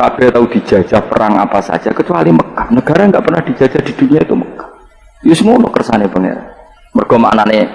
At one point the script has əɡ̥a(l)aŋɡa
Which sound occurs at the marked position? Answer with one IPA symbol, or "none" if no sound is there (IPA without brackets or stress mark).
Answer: ɾ